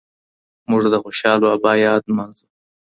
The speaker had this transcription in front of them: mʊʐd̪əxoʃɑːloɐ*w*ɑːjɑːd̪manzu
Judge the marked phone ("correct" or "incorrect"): incorrect